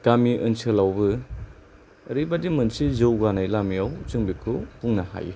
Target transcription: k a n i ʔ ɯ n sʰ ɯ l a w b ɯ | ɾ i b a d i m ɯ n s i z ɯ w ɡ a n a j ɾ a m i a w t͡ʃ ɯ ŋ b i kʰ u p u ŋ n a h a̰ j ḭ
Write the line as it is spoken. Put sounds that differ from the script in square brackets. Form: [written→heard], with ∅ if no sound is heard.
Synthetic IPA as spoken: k a [n→m] i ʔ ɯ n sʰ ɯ l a w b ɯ | ɾ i b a d i m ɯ n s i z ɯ w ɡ a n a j [ɾ→l] a m i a w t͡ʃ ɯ ŋ b i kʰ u p u ŋ n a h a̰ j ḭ